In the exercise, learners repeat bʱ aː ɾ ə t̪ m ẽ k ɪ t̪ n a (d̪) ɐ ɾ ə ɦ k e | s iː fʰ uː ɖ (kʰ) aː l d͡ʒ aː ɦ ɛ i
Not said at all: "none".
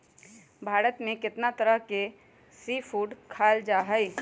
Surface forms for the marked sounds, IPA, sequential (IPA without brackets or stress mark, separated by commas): t̪, kʰ